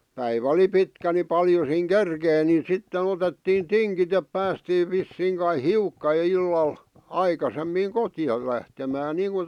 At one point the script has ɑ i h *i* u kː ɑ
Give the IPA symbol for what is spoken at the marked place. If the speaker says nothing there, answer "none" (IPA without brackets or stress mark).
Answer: i